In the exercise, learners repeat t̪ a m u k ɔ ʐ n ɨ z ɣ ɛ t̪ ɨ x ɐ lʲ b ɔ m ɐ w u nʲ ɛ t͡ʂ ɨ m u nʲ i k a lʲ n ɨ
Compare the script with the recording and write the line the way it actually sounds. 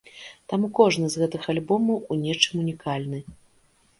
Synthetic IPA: t̪ a m u k ɔ ʐ n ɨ z ɣ ɛ t̪ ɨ x a lʲ b ɔ m ɐ w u nʲ ɛ t͡ʂ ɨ m u nʲ i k a lʲ n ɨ